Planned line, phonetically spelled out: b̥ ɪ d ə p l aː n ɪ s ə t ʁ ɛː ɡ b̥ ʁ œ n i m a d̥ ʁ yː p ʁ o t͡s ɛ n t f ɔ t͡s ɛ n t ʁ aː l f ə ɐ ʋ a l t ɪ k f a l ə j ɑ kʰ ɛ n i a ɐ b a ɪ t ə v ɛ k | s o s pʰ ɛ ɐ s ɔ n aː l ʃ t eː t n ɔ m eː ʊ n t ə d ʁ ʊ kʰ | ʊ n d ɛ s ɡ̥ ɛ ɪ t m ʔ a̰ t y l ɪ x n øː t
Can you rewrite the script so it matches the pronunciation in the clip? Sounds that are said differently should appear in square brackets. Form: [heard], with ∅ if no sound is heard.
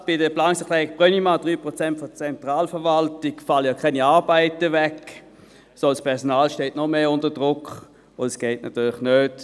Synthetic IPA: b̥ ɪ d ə p l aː n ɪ s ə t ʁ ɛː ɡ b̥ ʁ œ n i m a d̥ ʁ yː p ʁ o t͡s ɛ n t f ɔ t͡s ɛ n t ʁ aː l f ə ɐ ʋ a l t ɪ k f a l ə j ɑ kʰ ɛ n i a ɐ b a ɪ t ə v ɛ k | s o s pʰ ɛ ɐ s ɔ n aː l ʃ t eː t n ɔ m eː ʊ n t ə d ʁ ʊ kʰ | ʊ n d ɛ s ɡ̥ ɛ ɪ t [n] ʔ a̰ t [yː] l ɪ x n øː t